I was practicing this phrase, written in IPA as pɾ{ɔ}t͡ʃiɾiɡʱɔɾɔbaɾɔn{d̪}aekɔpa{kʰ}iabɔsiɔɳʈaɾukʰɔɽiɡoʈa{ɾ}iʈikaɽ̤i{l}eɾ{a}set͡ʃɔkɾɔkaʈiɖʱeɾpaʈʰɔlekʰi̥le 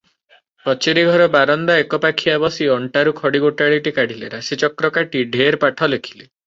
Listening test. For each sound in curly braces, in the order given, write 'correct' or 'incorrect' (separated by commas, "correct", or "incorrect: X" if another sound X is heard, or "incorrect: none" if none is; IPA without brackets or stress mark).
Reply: correct, correct, correct, incorrect: ɭ, correct, correct